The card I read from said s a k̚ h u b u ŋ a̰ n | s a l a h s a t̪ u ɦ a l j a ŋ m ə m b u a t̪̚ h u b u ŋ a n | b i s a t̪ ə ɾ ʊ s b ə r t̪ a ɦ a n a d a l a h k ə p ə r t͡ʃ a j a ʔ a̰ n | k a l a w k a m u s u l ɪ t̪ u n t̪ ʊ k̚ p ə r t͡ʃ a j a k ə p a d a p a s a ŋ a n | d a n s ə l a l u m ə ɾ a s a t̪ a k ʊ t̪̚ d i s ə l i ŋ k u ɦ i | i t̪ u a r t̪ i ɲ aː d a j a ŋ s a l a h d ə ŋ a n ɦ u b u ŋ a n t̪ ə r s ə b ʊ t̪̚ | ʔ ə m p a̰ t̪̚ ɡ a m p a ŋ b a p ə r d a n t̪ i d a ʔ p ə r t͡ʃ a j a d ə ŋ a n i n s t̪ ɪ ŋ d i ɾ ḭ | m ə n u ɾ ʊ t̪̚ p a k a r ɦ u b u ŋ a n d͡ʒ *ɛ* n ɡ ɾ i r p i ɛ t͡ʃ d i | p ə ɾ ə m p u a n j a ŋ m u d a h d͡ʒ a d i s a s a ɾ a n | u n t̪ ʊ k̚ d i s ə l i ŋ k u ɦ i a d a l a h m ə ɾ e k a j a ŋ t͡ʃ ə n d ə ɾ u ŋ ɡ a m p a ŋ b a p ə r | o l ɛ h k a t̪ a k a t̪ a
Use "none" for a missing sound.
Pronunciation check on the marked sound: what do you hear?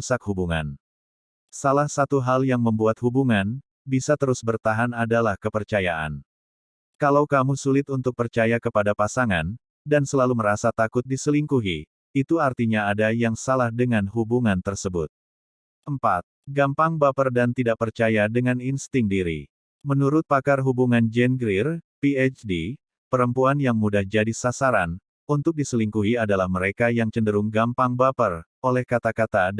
ɛ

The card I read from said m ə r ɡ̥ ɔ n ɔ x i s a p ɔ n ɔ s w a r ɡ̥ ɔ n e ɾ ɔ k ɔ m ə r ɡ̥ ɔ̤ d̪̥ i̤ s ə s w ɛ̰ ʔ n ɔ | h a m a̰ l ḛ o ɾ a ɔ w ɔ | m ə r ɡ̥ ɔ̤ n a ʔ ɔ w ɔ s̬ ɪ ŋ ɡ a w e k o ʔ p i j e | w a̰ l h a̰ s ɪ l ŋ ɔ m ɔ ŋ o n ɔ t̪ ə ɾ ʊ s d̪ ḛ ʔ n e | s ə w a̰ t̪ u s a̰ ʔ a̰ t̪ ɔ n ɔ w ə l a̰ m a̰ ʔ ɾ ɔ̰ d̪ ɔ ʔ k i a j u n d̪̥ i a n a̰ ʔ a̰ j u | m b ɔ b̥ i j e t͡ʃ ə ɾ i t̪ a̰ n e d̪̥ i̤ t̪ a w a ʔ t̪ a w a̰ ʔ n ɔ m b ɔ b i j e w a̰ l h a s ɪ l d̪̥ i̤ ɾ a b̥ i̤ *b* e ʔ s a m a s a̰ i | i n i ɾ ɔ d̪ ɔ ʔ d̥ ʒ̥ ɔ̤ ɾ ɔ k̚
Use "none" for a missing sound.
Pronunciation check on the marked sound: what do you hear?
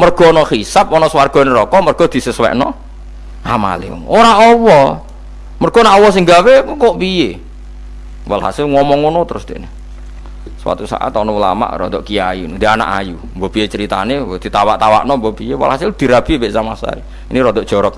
b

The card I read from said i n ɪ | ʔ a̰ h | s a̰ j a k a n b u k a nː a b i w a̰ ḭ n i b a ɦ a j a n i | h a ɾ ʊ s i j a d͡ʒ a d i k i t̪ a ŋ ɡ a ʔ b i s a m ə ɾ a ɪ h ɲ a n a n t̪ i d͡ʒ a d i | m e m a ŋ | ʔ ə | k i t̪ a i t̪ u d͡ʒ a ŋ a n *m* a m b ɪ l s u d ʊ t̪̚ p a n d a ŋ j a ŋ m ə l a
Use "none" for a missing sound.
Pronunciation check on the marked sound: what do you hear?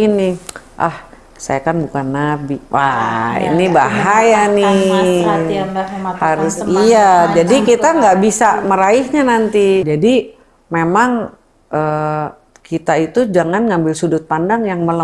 ŋ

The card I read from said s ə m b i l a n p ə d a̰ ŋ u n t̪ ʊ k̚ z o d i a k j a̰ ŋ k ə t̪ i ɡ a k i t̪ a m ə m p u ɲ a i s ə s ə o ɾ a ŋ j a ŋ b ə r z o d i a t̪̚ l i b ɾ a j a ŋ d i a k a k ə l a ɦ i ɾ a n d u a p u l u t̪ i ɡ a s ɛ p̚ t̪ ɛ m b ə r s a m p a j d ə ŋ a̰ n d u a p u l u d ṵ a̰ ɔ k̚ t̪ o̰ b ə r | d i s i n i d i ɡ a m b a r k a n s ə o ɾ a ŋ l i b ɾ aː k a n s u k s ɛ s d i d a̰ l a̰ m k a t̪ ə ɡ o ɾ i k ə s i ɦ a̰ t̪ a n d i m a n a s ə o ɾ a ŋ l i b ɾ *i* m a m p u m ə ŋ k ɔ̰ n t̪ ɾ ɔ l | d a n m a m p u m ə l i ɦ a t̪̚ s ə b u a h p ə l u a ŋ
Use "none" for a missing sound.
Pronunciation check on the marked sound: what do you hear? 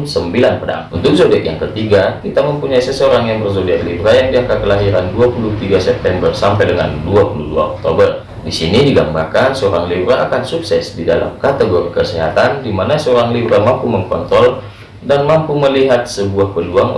a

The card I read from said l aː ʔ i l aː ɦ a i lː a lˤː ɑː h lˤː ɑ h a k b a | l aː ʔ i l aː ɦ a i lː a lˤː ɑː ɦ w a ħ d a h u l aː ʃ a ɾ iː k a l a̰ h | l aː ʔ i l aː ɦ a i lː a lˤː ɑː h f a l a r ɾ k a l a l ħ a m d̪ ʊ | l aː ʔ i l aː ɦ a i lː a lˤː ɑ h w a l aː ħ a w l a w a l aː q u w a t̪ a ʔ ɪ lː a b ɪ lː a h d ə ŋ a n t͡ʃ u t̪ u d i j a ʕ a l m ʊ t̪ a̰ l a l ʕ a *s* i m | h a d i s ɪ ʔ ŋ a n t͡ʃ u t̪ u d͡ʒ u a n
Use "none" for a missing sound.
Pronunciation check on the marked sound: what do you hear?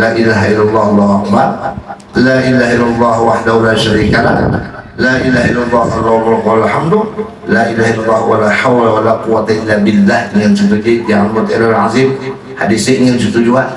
z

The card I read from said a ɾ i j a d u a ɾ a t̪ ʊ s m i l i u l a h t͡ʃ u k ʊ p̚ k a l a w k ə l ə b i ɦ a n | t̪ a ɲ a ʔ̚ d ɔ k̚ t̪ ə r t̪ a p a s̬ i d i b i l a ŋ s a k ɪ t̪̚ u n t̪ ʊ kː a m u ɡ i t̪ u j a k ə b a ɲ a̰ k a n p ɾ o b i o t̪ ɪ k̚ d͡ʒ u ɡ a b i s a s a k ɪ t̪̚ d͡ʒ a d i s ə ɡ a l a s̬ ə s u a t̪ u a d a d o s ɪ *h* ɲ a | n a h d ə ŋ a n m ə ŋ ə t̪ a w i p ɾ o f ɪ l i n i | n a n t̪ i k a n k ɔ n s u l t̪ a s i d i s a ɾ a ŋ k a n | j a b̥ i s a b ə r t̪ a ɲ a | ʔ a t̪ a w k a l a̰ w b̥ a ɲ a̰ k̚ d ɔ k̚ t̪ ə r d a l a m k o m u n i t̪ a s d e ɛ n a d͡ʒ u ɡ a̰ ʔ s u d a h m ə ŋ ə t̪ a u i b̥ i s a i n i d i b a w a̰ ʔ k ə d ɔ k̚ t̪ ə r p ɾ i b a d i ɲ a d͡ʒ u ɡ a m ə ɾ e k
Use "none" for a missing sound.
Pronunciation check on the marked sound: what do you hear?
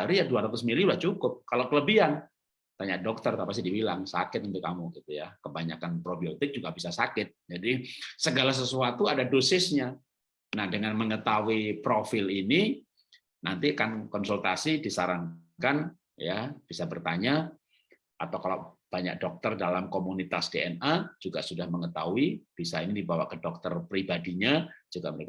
s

